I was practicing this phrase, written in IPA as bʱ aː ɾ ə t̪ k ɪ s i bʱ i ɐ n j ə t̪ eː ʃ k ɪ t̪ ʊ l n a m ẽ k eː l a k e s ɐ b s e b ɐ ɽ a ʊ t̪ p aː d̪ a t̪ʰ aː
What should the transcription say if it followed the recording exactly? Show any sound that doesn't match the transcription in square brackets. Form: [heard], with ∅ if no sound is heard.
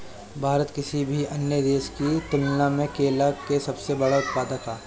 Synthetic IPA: bʱ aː ɾ ə t̪ k ɪ s i bʱ i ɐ n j ə [d̪] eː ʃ k [i] t̪ ʊ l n a m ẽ k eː l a k e s ɐ b s e b ɐ ɽ a ʊ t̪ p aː d̪ a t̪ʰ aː